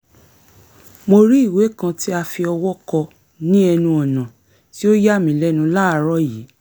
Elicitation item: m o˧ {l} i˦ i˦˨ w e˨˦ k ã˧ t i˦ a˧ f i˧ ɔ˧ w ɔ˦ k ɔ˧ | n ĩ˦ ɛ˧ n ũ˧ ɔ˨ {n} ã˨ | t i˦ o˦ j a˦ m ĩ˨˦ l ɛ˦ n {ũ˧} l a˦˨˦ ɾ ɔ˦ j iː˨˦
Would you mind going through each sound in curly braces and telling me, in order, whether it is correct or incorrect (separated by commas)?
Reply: incorrect, correct, correct